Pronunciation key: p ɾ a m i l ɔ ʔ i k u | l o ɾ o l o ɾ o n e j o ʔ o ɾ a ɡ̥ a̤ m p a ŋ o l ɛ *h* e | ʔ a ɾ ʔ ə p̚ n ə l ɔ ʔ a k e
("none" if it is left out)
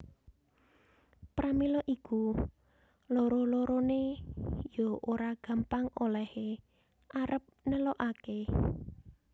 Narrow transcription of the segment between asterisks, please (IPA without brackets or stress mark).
h